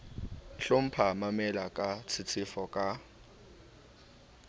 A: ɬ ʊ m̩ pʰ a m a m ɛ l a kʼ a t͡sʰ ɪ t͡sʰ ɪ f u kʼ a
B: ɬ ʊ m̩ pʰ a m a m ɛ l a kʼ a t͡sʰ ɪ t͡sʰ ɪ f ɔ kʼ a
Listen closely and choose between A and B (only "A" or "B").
B